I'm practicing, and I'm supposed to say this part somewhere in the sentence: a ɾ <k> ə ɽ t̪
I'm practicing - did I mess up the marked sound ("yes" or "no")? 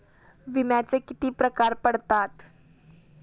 yes